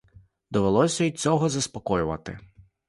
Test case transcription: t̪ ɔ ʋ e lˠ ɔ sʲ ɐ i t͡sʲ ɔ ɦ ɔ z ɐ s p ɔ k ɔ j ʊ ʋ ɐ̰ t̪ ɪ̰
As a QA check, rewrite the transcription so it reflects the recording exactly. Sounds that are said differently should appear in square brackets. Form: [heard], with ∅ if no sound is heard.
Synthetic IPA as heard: [d̪] ɔ ʋ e lˠ ɔ sʲ ɐ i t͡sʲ ɔ ɦ ɔ z ɐ s p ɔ k ɔ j ʊ ʋ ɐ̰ t̪ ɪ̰